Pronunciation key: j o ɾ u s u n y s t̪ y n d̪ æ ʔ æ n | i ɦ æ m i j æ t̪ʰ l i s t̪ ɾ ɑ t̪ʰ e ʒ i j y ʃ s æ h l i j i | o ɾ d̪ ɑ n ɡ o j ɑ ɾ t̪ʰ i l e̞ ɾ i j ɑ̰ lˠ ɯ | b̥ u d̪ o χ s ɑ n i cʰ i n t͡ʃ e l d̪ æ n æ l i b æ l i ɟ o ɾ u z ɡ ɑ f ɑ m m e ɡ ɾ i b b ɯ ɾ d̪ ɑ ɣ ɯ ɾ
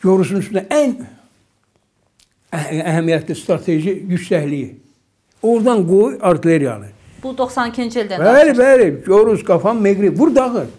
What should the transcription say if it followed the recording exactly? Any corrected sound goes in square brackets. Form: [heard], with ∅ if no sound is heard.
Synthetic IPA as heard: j o ɾ u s u n y s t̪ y n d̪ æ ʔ æ n | [æ] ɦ æ m i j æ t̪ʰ l i s t̪ ɾ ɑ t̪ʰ e ʒ i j y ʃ s æ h l i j i | o ɾ d̪ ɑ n ɡ o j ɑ ɾ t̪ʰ i l e̞ ɾ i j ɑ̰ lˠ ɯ | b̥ u d̪ o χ s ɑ n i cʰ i n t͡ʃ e l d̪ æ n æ l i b æ l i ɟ o ɾ u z ɡ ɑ f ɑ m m e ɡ ɾ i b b [u] ɾ d̪ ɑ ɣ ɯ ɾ